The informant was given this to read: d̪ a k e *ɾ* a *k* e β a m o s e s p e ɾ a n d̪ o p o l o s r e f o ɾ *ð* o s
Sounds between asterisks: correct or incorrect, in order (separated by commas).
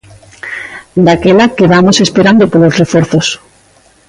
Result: incorrect, correct, incorrect